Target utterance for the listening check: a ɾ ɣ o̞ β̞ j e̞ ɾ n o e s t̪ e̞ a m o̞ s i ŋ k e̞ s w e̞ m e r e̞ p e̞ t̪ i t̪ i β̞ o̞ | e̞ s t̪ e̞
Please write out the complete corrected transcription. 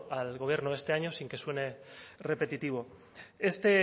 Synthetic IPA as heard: a l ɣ o̞ β̞ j e̞ ɾ n o e s t̪ e̞ a ɲ o̞ s i ŋ k e̞ s w e̞ n e r e̞ p e̞ t̪ i t̪ i β̞ o̞ | e̞ s t̪ e̞